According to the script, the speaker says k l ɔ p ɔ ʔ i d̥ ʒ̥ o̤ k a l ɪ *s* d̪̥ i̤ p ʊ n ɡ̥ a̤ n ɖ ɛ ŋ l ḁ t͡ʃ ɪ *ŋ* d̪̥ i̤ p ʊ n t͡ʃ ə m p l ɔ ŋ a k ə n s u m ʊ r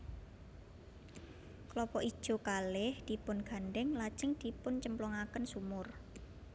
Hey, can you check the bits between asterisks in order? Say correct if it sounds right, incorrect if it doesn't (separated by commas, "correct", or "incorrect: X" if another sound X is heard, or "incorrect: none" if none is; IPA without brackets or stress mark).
incorrect: h, correct